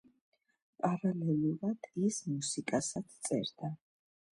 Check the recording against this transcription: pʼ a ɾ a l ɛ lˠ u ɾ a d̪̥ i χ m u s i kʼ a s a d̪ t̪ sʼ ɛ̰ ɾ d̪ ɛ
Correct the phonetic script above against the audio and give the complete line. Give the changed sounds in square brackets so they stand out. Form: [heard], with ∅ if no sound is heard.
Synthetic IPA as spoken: pʼ a ɾ a l ɛ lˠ u ɾ a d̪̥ i [s] m u s i kʼ a s a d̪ t̪ sʼ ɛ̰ ɾ d̪ [a]